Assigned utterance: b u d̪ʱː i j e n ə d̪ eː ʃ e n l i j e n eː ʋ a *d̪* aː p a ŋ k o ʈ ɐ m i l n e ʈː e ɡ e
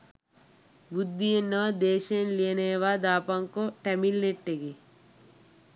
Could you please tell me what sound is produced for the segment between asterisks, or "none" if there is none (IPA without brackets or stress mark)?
d̪